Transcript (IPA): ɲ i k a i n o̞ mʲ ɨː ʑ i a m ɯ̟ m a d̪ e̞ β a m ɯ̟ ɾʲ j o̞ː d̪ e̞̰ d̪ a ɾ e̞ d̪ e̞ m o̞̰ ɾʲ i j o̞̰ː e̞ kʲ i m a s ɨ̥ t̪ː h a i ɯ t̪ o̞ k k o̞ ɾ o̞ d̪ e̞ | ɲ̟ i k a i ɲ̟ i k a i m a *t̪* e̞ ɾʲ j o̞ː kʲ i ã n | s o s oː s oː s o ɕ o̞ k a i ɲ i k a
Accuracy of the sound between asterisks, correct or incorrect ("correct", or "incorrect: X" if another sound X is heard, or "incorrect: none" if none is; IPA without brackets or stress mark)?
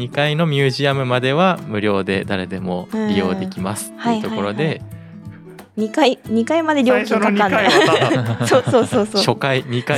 incorrect: d̪